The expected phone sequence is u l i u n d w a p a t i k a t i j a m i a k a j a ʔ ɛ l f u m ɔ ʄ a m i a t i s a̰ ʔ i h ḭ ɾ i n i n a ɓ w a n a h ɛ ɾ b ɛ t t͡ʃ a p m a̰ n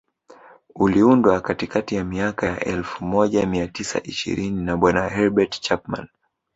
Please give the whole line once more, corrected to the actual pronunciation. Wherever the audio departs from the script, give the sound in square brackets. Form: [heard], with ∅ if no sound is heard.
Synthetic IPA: u l i u n d w a [k] a t i k a t i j a m i a k a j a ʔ ɛ l f u m ɔ ʄ a m i a t i s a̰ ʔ i [ʃ] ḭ ɾ i n i n a ɓ w a n a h ɛ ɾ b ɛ t t͡ʃ a p m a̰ n